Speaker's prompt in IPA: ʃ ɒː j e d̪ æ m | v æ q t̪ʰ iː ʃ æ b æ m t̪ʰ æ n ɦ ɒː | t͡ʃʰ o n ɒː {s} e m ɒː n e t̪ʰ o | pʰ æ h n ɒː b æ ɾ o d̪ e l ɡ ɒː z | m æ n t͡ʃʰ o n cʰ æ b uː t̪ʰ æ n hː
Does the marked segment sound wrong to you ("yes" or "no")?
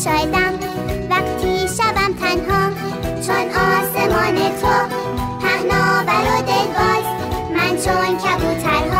no